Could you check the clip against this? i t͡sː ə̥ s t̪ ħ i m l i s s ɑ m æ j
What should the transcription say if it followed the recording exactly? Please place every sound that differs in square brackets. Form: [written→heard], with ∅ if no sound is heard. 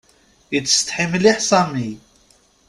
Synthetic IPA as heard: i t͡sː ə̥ s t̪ ħ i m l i [s→ħ] s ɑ m [æ→i] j